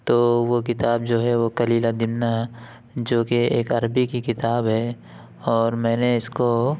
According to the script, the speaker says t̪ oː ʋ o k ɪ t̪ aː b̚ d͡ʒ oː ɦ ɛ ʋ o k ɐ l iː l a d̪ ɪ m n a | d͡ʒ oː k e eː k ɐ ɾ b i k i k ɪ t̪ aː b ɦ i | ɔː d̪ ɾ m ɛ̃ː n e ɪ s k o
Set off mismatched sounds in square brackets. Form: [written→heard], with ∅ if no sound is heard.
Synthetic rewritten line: t̪ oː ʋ o k ɪ t̪ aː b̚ d͡ʒ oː ɦ ɛ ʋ o k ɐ l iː l a d̪ ɪ m n a | d͡ʒ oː k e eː k ɐ ɾ b i k i k ɪ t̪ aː b ɦ [i→ɛ] | ɔː [d̪→∅] ɾ m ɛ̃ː n e ɪ s k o